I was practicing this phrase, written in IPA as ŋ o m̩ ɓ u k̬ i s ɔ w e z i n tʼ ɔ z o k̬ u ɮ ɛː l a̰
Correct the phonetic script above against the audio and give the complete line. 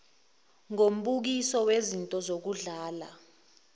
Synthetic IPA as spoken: ŋ o m̩ ɓ u k̬ i s ɔ w e z i n tʼ ɔ z o k̬ u ɮ aː l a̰